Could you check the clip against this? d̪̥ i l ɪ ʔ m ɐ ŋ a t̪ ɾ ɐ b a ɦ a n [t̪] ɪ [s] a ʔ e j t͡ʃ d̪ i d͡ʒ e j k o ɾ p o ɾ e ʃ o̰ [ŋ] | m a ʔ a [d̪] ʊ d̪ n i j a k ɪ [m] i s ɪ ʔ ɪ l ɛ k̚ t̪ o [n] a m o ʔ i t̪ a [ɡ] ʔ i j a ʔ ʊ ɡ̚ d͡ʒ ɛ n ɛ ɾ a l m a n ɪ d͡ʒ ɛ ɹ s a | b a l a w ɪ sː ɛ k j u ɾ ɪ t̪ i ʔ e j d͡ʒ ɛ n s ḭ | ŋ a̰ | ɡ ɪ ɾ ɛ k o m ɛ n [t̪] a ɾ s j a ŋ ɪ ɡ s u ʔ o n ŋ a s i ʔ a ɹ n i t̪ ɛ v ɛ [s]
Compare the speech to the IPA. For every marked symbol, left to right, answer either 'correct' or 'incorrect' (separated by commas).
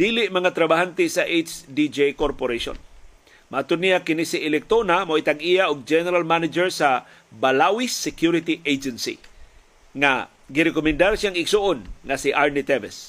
correct, correct, incorrect, incorrect, incorrect, correct, correct, incorrect, correct